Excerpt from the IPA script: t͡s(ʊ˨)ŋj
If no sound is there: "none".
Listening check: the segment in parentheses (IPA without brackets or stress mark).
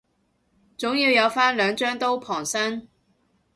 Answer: ʊ˨˥